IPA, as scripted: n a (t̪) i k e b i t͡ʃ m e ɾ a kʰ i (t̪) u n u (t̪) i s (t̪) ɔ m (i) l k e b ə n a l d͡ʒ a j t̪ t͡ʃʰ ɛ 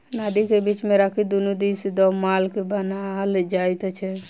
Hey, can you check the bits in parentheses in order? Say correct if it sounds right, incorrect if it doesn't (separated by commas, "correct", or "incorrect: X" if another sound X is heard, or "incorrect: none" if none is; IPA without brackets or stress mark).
incorrect: d̪, incorrect: d̪, incorrect: d̪, incorrect: d̪, incorrect: a